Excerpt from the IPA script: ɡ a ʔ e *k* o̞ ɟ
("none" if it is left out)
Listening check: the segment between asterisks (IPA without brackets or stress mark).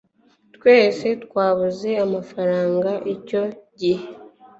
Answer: c